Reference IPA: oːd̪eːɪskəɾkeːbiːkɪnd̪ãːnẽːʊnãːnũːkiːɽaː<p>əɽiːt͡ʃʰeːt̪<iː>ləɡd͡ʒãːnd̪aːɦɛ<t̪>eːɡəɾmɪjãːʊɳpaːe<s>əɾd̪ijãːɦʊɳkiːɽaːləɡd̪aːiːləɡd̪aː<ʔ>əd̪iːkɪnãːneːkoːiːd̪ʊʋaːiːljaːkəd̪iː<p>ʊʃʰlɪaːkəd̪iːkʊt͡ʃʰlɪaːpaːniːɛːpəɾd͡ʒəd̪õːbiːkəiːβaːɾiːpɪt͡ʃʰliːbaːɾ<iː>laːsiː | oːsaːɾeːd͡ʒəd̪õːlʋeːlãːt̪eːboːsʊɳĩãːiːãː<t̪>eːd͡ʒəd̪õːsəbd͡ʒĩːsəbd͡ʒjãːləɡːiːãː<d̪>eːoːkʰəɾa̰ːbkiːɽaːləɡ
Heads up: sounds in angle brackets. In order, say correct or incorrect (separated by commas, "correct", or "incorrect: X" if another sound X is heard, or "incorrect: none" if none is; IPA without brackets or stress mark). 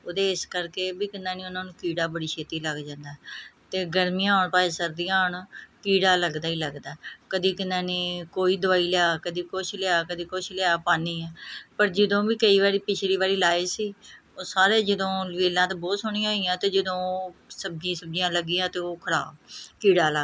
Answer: incorrect: b, correct, correct, correct, incorrect: k, incorrect: k, correct, correct, incorrect: t̪